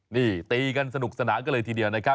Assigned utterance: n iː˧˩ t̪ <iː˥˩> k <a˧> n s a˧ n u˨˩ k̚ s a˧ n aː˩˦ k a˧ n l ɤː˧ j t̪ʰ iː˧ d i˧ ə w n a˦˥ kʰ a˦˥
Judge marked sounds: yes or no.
no, yes

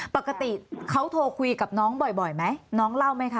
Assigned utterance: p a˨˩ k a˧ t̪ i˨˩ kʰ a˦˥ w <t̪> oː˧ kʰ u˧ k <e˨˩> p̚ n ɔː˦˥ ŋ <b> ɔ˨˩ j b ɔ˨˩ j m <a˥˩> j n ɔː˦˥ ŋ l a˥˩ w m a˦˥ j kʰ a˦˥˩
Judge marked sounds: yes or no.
no, no, yes, no

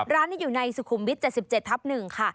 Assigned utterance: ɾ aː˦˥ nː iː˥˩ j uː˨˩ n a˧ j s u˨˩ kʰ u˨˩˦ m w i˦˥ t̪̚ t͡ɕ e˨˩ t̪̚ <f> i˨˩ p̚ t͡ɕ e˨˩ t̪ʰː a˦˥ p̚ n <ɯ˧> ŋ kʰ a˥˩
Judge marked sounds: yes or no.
no, no

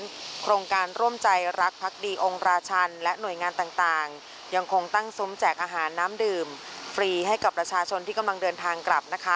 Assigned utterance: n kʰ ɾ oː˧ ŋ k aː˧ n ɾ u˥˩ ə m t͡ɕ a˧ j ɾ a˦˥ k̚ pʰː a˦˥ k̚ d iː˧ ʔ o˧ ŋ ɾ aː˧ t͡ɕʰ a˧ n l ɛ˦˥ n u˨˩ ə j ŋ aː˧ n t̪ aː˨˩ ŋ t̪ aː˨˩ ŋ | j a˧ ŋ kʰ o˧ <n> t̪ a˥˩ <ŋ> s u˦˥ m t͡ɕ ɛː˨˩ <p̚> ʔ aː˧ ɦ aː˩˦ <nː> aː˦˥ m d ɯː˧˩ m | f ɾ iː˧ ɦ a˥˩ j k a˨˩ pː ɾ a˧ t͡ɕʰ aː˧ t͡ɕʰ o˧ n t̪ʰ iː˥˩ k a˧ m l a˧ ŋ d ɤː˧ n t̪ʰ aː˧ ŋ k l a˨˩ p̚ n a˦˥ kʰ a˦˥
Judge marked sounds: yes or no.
no, yes, no, yes

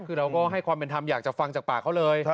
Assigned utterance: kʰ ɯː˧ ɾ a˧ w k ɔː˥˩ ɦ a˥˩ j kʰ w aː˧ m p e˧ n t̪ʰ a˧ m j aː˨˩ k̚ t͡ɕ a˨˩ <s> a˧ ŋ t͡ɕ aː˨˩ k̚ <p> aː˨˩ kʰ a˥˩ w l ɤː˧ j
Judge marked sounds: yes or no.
no, yes

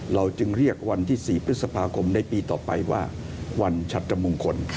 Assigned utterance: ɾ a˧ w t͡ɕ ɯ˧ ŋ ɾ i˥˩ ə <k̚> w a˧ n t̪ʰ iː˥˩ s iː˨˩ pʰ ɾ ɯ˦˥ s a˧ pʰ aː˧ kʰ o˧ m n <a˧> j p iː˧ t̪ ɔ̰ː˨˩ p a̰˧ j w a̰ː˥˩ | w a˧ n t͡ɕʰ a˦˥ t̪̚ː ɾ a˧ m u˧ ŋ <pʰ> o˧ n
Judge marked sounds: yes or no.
yes, yes, no

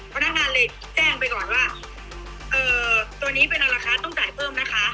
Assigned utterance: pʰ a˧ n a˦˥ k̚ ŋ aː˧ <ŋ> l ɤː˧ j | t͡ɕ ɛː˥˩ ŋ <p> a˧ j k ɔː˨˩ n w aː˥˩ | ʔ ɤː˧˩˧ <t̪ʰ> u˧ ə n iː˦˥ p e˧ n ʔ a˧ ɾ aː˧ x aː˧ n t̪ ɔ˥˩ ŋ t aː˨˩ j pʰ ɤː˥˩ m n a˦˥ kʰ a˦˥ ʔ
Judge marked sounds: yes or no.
no, yes, no

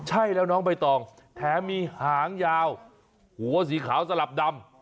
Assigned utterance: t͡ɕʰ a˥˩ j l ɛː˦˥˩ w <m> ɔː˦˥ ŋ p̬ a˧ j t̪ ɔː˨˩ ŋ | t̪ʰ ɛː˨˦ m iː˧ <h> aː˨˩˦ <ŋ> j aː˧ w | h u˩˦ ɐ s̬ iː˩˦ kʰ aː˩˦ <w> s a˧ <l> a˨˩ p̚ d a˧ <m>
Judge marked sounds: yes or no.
no, yes, yes, yes, yes, yes

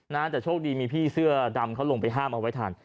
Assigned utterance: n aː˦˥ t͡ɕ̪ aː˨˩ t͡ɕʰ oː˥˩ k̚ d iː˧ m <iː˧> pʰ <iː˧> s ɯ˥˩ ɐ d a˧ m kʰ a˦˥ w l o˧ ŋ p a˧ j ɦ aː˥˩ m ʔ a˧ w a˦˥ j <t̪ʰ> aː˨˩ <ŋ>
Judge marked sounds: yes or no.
yes, no, yes, no

